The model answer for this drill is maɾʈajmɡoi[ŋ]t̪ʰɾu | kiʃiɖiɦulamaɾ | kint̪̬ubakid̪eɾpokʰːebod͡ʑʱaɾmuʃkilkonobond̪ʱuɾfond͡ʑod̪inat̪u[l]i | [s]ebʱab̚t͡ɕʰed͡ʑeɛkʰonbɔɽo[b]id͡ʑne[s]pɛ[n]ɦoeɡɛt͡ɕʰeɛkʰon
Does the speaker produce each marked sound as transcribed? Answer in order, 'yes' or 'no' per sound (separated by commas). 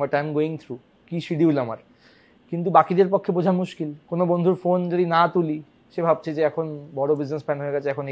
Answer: yes, yes, no, yes, yes, yes